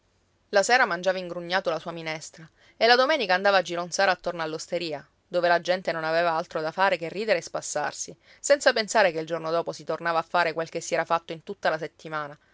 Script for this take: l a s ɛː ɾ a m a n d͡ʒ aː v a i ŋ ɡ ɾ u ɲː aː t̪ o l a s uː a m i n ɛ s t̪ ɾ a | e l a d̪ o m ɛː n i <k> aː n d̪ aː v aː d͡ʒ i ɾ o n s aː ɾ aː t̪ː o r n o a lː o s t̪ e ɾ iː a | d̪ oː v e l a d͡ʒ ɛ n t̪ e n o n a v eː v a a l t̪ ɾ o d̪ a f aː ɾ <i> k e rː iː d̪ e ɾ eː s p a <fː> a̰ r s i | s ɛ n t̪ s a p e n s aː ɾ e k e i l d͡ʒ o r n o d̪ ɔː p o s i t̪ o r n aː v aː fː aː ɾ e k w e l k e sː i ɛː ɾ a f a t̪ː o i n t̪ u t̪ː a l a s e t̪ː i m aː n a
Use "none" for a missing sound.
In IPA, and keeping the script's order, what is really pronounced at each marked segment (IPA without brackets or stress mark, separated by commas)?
k, e, sː